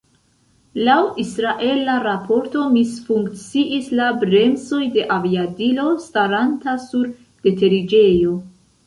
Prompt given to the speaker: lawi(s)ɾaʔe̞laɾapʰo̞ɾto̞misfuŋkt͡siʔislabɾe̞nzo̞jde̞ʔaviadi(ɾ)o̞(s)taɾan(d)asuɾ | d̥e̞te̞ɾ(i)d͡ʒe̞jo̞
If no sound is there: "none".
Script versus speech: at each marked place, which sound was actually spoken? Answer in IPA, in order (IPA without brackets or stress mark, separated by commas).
s, l, s, t, i